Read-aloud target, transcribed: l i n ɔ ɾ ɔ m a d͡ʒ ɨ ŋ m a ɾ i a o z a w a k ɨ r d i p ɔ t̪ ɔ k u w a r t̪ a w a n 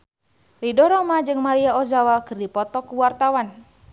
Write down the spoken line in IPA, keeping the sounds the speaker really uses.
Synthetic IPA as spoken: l i d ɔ ɾ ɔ m a d͡ʒ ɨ ŋ m a ɾ i a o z a w a k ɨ r d i p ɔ t̪ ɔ k u w a r t̪ a w a n